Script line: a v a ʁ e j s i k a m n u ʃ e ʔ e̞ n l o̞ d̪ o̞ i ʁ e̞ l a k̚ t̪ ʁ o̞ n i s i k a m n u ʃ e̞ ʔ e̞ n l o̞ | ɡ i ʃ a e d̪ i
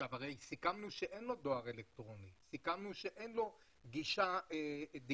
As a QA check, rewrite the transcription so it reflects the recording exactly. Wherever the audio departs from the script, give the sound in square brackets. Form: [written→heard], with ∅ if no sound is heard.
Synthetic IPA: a v a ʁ e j s i k a m n u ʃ e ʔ e̞ n l o̞ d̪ o̞ [i→a] ʁ e̞ l [a→e] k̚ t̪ ʁ o̞ n i s i k a m n u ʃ e̞ ʔ e̞ n l o̞ | ɡ i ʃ a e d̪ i